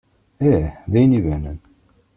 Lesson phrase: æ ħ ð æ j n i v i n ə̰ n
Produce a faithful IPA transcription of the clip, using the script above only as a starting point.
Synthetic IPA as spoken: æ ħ ð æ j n i v æ n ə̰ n